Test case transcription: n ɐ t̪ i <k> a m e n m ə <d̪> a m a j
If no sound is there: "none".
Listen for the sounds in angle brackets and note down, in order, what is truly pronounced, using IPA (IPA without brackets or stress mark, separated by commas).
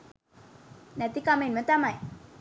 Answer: k, t̪